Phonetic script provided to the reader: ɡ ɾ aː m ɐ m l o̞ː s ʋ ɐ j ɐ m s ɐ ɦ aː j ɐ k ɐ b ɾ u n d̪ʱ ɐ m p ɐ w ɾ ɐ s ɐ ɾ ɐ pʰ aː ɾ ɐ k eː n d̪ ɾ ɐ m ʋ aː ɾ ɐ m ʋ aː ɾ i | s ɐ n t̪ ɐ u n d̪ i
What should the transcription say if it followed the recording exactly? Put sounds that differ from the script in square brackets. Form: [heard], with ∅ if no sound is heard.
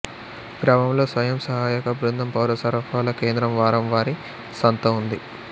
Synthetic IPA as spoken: ɡ ɾ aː m ɐ m l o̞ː s ʋ ɐ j ɐ m s ɐ ɦ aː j ɐ k ɐ b ɾ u n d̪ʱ ɐ m p ɐ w ɾ ɐ s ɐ ɾ ɐ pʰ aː [l] ɐ k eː n d̪ ɾ ɐ m ʋ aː ɾ ɐ m ʋ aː ɾ i | s ɐ n t̪ ɐ u n d̪ i